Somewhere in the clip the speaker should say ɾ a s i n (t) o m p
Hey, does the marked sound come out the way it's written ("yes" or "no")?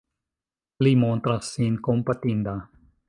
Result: no